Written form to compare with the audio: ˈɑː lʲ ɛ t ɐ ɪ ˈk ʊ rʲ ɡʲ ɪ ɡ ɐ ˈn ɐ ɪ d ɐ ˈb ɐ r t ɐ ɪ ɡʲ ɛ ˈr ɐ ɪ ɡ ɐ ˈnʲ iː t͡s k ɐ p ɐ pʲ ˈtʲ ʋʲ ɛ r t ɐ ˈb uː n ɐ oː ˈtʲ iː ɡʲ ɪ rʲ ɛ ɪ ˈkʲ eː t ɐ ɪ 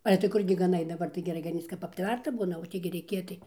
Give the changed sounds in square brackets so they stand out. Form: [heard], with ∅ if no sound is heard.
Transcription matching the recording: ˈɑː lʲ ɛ t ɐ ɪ ˈk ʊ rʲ ɡʲ ɪ ɡ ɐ ˈn ɐ ɪ d ɐ ˈb ɐ r t ɐ ɪ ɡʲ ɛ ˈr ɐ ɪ ɡ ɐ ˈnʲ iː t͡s k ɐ p ɐ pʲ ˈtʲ ʋʲ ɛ r t ɐ ˈb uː n ɐ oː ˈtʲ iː ɡʲ ɪ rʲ ɛ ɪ ˈkʲ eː t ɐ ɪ